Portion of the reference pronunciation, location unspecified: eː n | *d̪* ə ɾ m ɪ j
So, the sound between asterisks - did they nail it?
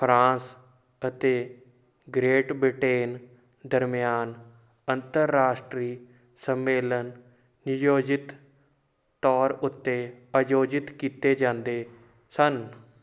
yes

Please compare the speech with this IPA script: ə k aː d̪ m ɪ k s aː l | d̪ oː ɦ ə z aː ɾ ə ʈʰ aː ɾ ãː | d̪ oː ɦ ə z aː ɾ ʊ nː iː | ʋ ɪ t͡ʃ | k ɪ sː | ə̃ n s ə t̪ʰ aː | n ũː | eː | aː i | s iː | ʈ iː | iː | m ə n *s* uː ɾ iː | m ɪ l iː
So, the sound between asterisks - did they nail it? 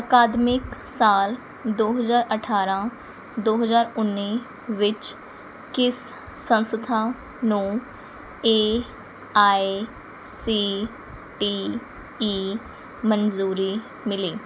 no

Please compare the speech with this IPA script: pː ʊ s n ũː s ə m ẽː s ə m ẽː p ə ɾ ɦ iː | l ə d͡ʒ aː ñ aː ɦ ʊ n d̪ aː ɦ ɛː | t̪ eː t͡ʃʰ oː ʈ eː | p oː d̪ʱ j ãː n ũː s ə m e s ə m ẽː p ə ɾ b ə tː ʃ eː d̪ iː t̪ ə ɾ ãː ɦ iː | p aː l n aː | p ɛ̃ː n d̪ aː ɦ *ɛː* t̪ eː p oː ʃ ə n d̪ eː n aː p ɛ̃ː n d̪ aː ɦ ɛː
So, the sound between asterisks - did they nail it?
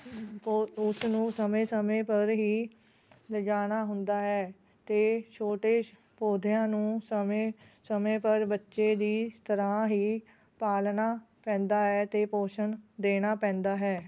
yes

